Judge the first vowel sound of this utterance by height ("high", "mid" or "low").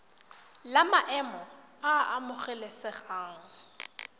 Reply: low